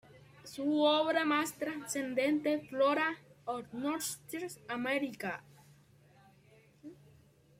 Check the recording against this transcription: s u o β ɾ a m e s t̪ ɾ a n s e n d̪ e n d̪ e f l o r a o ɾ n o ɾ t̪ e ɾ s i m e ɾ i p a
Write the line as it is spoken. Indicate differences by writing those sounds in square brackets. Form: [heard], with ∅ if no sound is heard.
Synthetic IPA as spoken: s u o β ɾ a m [a] s t̪ ɾ a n s e n d̪ e n [t̪] e f l o [ɾ] a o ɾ n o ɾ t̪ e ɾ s [a] m e ɾ i [k] a